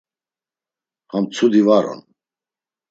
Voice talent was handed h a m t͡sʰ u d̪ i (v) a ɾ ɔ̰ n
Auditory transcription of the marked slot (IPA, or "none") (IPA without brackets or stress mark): v